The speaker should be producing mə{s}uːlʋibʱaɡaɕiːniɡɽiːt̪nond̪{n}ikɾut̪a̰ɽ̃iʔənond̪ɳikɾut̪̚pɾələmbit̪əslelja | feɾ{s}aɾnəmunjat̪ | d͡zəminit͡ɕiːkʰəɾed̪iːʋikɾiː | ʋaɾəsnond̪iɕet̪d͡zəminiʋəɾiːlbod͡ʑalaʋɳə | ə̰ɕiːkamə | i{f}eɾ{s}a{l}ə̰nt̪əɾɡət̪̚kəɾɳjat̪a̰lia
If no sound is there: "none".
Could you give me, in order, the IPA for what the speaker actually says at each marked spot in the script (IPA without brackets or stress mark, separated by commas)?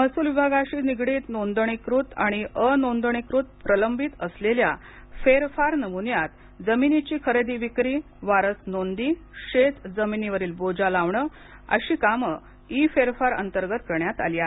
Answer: s, ɳ, f, f, f, ɾ